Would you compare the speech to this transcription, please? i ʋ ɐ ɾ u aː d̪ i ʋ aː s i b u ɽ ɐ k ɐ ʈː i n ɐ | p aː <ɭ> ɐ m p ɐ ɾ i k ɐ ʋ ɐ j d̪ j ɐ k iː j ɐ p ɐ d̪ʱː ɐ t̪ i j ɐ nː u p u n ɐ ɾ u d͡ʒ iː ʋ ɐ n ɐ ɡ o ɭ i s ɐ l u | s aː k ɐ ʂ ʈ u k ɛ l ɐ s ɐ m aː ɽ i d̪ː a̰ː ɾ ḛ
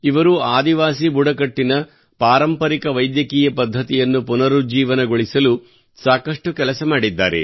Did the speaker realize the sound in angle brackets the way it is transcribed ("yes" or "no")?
no